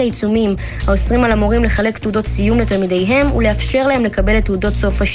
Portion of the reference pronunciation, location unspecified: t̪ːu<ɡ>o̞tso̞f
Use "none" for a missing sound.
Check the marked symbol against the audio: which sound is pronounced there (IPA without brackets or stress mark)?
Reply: d